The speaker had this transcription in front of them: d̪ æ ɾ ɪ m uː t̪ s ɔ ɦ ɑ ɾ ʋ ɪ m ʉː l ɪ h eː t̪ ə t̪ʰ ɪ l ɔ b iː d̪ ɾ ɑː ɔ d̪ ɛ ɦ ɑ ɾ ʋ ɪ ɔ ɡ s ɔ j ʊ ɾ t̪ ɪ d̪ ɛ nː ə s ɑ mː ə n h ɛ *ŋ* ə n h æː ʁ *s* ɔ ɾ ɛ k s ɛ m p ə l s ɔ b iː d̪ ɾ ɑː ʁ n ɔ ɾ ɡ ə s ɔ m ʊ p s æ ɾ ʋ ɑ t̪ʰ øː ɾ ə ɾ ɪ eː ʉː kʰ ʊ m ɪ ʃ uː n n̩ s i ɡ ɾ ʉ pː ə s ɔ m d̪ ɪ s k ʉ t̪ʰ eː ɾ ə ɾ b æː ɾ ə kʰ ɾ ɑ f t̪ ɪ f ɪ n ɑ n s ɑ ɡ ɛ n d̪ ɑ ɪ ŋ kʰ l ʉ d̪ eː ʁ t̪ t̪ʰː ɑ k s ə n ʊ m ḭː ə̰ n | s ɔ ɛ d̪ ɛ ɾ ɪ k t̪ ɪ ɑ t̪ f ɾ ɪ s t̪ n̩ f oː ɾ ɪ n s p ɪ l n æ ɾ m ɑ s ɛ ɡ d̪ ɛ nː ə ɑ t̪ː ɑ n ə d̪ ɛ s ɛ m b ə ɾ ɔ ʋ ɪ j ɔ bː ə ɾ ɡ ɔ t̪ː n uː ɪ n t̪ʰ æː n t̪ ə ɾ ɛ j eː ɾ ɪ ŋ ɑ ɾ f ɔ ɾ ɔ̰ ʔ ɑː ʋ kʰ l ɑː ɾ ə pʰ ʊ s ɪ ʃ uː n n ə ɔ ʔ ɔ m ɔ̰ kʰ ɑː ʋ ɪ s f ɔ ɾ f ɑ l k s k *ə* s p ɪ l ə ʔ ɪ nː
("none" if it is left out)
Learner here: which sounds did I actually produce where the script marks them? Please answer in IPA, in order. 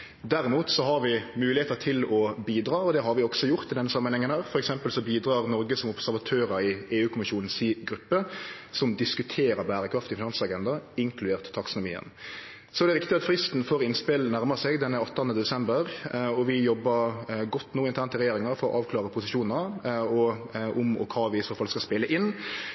ŋ, f, ɑ

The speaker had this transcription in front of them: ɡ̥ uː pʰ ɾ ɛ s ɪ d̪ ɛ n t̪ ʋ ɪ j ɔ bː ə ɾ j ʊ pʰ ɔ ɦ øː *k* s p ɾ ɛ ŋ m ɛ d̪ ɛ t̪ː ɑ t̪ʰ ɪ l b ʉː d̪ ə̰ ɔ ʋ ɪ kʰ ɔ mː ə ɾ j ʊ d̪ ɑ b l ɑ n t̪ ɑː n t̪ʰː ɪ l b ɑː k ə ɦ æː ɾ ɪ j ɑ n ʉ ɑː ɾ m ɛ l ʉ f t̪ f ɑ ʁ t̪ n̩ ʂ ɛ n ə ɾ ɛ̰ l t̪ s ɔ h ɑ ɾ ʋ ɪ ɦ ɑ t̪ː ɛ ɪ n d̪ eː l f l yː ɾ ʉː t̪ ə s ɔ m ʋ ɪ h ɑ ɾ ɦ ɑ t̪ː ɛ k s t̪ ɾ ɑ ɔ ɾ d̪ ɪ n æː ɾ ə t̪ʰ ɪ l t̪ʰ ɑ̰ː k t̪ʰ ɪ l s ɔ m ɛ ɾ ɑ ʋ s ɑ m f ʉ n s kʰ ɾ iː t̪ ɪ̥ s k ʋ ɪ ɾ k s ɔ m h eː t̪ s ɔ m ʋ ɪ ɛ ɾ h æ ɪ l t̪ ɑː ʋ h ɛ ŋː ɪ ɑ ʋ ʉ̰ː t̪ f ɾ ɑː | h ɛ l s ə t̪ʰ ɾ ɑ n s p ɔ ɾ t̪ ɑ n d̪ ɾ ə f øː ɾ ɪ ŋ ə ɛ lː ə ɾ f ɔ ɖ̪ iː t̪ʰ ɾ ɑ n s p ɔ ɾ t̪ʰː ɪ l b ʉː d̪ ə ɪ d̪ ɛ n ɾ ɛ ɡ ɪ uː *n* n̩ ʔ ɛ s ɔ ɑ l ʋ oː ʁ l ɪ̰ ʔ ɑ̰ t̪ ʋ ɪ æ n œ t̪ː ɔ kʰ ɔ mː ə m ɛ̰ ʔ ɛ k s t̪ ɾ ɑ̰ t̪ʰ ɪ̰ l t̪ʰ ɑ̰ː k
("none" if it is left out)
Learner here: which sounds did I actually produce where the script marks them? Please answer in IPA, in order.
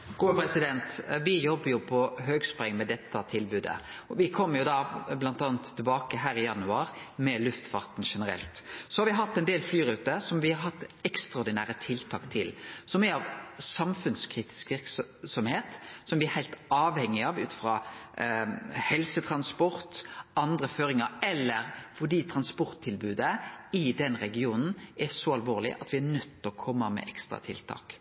ɡ, n

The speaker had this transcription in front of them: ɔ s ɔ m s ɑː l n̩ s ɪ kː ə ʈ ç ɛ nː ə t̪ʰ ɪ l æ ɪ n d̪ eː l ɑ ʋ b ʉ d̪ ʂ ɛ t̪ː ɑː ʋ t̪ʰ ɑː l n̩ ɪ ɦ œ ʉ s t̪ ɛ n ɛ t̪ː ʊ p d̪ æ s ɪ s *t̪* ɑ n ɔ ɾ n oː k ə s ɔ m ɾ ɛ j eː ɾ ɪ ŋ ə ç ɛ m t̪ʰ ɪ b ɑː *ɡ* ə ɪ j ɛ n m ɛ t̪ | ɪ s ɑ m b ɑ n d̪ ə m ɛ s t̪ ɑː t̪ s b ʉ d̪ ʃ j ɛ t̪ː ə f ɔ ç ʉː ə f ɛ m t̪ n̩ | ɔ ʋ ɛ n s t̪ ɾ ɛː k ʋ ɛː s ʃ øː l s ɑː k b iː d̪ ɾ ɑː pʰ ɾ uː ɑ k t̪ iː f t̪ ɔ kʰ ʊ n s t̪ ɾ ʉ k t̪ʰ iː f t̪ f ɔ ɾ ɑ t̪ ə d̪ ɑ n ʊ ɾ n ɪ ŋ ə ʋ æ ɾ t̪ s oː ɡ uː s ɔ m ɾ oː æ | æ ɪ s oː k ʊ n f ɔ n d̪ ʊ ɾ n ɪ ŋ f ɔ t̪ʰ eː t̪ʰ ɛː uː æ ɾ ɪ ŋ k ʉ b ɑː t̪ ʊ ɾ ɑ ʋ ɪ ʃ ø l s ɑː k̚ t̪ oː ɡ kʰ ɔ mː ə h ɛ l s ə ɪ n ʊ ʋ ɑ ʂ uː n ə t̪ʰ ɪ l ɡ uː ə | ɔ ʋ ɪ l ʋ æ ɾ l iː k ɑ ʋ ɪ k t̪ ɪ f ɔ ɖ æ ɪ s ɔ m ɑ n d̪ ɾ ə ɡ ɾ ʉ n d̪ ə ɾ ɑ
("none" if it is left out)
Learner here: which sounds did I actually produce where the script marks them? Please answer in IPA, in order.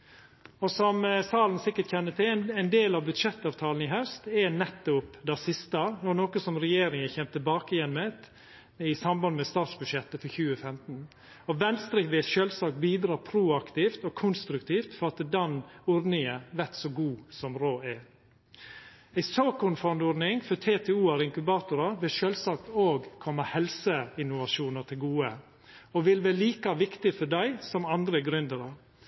t̪, k

